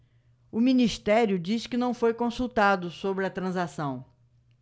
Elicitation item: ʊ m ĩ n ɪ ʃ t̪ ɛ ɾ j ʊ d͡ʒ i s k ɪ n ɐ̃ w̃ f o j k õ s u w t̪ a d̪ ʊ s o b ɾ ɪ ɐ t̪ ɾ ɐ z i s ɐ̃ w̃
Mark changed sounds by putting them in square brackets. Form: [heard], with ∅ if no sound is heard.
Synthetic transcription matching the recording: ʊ m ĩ n [i] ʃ t̪ ɛ ɾ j ʊ d͡ʒ i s k ɪ n ɐ̃ w̃ f o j k õ s u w t̪ a d̪ ʊ s o b ɾ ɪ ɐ t̪ ɾ [ɐ̃] z [a] s ɐ̃ w̃